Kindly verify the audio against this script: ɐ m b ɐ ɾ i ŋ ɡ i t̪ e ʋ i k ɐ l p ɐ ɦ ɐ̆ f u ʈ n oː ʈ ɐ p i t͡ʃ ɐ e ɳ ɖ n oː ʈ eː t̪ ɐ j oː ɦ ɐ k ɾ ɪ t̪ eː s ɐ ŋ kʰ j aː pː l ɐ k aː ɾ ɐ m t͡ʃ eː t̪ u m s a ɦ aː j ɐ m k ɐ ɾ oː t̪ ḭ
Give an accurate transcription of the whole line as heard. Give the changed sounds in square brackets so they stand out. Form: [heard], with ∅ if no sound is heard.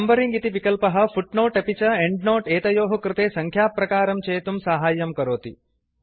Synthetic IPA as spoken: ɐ m b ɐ ɾ i ŋ ɡ i t̪ [i] ʋ i k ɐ l p ɐ ɦ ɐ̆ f u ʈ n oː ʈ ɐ p i t͡ʃ ɐ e ɳ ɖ n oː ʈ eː t̪ ɐ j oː ɦ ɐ k ɾ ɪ t̪ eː s ɐ ŋ kʰ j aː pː [ɾ] ɐ k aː ɾ ɐ m t͡ʃ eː t̪ u m s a ɦ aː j ɐ m k ɐ ɾ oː t̪ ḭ